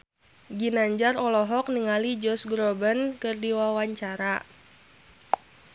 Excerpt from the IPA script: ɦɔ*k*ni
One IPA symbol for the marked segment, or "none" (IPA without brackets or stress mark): k